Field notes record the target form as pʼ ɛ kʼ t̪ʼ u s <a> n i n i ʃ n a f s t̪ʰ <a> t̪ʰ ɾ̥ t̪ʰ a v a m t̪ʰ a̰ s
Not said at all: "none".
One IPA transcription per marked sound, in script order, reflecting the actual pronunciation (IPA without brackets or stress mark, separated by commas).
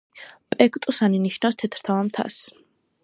a, ɛ